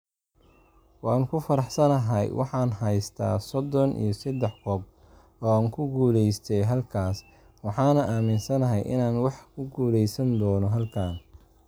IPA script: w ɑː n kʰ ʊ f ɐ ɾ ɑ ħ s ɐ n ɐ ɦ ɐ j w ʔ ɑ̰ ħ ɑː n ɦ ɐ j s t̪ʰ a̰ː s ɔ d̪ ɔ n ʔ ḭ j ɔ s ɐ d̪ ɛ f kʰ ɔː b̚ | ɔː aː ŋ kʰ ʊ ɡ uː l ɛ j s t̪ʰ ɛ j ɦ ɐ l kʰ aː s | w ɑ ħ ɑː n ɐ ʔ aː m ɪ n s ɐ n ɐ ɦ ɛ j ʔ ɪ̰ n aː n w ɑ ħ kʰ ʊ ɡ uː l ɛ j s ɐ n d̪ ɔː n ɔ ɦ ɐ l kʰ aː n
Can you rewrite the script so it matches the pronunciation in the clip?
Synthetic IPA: w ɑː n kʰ ʊ f ɐ ɾ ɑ ħ s ɐ n ɐ ɦ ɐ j w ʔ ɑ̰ ħ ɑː n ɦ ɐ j s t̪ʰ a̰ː s ɔ d̪ ɔ n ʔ ḭ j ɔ s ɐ d̪ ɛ ħ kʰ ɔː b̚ | ɔː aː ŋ kʰ ʊ ɡ uː l ɛ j s t̪ʰ ɛ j ɦ ɐ l kʰ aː s | w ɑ ħ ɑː n ɐ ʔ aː m ɪ n s ɐ n ɐ ɦ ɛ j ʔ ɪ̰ n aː n w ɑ ħ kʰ ʊ ɡ uː l ɛ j s ɐ n d̪ ɔː n ɔ ɦ ɐ l kʰ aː n